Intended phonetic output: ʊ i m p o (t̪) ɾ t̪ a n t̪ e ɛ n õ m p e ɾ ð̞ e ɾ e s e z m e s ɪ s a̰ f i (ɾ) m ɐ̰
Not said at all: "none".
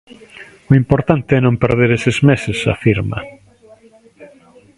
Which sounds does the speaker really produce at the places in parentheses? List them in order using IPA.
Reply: none, ɾ

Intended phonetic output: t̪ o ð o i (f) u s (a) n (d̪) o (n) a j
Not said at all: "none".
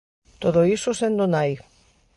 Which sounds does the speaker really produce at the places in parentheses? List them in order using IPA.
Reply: s, e, d̪, n

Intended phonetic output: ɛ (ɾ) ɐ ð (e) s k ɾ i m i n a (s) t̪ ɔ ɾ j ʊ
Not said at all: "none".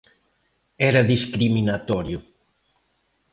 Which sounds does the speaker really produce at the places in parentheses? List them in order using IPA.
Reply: ɾ, i, none

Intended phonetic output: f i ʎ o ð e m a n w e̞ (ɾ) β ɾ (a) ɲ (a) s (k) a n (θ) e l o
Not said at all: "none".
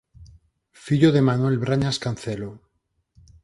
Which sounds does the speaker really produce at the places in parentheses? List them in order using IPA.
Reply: l, a, a, k, θ

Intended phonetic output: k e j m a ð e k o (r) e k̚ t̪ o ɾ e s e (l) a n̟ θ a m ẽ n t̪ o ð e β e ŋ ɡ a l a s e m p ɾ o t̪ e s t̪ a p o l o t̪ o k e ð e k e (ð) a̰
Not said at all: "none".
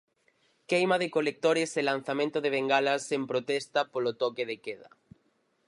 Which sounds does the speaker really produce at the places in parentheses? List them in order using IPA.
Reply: l, l, ð

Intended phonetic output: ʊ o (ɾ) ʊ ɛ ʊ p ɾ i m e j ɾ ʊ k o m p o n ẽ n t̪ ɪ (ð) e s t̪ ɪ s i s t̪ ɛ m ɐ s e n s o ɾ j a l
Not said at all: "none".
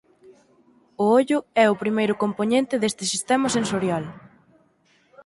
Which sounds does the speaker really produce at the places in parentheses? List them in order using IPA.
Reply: ʎ, ð

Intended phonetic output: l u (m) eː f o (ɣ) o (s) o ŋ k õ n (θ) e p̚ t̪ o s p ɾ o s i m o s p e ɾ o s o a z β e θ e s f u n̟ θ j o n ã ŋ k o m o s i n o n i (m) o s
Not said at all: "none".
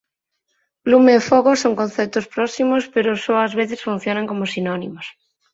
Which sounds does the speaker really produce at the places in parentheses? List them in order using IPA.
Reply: m, ɣ, s, θ, m

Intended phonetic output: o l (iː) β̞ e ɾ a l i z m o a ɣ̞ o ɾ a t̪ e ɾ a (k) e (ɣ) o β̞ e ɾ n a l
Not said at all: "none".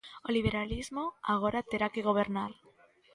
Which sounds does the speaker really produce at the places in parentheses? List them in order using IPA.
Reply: i, k, ɣ

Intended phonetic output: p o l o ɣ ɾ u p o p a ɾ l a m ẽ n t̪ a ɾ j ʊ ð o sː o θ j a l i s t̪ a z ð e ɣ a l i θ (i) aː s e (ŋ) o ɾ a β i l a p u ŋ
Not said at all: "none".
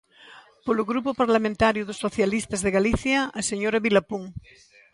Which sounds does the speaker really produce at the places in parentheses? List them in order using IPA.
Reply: j, ɲ

